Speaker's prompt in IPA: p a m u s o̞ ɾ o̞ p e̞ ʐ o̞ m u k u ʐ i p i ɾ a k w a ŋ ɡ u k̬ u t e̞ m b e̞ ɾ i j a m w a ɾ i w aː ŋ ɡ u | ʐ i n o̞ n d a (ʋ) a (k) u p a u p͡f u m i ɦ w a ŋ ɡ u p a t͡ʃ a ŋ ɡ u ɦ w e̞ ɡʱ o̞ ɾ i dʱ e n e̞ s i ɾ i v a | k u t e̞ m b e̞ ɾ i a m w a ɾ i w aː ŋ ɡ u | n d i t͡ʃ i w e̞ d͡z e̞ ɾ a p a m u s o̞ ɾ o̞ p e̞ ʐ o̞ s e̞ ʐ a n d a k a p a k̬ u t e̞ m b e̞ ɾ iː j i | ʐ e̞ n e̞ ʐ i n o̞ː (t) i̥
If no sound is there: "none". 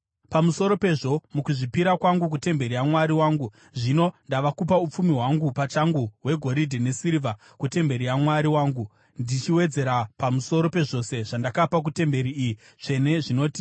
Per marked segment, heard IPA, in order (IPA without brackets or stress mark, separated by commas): ʋ, k, t